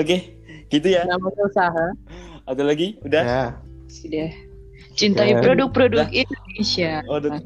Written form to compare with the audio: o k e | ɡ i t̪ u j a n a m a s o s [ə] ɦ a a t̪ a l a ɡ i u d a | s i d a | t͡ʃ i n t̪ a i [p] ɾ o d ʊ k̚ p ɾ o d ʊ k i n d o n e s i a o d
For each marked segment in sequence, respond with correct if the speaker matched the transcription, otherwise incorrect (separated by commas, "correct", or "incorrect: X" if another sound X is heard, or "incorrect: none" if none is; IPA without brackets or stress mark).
incorrect: a, correct